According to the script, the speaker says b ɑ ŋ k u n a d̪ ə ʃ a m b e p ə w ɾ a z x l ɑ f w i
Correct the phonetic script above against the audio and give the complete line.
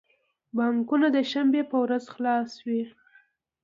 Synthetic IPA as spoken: b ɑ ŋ k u n a d̪ ə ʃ a m b e p ə w ɾ a z x l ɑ s w i